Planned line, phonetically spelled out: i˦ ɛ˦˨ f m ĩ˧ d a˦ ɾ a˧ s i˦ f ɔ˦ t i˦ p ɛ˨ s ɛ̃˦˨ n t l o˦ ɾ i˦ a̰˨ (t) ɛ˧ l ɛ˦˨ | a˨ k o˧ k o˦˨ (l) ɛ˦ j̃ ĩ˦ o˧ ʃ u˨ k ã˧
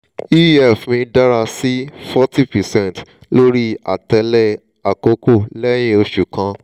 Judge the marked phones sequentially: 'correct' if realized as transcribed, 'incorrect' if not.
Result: correct, correct

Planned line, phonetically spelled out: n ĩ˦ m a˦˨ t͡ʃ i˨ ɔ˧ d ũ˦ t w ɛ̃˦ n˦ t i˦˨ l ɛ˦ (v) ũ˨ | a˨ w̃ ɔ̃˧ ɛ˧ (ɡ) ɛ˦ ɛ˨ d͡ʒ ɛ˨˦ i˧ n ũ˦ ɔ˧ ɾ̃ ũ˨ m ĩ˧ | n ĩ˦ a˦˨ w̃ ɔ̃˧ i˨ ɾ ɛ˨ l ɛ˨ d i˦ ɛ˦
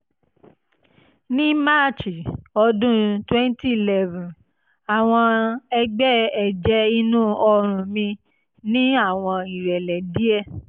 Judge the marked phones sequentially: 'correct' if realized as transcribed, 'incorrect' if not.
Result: correct, incorrect

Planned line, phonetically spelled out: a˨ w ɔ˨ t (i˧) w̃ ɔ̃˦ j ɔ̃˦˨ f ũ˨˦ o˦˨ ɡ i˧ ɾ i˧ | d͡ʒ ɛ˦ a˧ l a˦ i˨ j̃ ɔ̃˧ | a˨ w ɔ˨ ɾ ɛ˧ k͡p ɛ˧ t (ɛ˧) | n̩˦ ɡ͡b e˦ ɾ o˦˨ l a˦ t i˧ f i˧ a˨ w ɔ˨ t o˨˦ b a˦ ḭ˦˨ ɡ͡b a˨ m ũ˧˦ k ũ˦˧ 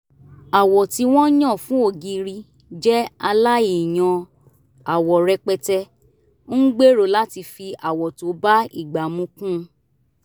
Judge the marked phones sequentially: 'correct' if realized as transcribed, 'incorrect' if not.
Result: correct, correct

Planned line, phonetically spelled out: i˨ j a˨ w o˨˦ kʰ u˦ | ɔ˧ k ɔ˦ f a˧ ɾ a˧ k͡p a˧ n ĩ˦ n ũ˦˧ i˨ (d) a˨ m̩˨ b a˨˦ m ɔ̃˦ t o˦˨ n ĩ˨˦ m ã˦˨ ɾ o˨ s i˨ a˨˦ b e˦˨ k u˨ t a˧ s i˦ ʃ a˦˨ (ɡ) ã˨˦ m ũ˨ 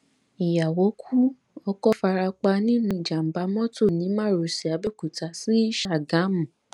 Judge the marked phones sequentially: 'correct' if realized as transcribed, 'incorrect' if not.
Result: incorrect, correct

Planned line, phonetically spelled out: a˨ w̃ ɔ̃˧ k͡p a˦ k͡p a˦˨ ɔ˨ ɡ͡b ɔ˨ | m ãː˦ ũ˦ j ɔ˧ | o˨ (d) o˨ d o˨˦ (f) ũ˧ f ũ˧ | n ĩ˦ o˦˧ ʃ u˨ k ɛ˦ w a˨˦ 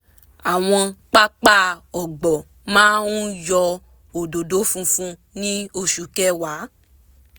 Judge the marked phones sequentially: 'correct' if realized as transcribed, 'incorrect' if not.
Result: correct, correct

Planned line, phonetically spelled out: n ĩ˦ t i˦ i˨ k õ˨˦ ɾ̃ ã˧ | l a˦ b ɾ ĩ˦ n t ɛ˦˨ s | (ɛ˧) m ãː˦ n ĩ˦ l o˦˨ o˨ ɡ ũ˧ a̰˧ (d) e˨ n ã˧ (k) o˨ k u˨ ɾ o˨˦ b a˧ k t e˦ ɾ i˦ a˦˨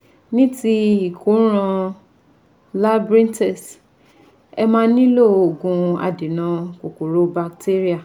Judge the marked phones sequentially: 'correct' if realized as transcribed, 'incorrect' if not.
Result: correct, correct, correct

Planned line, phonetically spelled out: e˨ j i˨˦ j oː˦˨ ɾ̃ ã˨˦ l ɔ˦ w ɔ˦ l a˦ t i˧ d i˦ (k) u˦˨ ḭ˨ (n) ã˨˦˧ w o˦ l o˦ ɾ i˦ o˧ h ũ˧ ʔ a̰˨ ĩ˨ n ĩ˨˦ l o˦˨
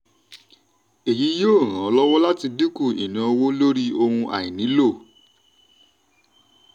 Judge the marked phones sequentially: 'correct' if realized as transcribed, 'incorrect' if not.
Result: correct, correct

